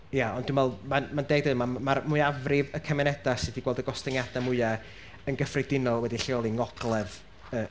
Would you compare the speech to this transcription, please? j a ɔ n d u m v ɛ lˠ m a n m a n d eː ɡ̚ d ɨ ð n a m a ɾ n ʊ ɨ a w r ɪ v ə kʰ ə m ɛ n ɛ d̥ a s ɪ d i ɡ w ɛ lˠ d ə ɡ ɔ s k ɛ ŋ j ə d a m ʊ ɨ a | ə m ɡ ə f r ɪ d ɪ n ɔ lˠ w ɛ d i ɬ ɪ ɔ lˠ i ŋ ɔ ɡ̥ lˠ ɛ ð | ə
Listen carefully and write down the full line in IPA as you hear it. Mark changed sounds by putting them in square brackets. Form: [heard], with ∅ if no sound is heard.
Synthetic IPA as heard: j a ɔ n d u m v ɛ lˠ m a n m a n d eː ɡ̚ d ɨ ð [m] a m a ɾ [m] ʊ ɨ a [v] r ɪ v ə kʰ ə m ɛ n ɛ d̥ a s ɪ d i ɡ w ɛ lˠ d ə ɡ ɔ s [t] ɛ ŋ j [a] d a m ʊ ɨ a | ə [n] ɡ ə f r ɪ d ɪ n ɔ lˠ w ɛ d i ɬ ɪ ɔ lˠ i ŋ ɔ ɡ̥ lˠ ɛ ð | ə